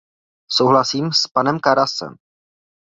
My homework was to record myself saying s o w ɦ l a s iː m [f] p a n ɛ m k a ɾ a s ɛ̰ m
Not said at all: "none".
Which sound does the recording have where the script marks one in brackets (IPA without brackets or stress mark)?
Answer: s